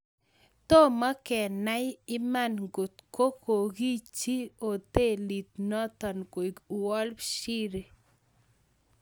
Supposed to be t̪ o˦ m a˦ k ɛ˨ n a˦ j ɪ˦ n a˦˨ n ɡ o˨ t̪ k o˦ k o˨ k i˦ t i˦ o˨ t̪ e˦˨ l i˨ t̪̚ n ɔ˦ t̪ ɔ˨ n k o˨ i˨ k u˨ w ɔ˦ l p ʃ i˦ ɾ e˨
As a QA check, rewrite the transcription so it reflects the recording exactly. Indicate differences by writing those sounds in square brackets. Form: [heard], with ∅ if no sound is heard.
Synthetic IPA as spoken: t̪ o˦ m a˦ k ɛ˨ n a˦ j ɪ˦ [m] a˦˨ n ɡ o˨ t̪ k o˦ k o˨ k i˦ [t͡ʃ] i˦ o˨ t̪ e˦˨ l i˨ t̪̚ n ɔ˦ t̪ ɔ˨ n k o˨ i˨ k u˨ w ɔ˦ l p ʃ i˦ ɾ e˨